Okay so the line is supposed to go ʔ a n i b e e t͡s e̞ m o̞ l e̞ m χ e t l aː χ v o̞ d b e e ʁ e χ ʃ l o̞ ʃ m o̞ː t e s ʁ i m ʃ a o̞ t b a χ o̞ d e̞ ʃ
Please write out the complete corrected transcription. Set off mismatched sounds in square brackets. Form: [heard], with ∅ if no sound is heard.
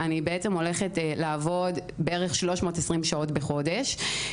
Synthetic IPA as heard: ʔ a n i b e e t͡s e̞ m o̞ l e̞ [∅] χ e t l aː [∅] v o̞ d b e e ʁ e χ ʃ l o̞ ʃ m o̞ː t e s ʁ i m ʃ a o̞ t b [e] χ o̞ d e̞ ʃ